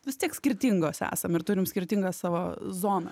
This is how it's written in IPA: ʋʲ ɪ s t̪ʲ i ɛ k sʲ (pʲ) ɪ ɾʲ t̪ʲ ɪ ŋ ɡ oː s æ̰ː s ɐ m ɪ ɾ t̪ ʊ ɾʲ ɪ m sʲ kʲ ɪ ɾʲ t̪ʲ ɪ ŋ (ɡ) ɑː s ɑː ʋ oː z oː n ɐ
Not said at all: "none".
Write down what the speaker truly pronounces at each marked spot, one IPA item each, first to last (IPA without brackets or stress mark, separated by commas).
kʲ, ɡ